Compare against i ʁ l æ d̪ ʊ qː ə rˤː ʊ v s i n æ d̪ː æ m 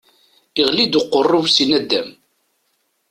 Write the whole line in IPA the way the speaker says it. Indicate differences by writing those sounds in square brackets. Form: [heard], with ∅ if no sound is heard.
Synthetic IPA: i ʁ l [i] d̪ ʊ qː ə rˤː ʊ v s i n æ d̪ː æ m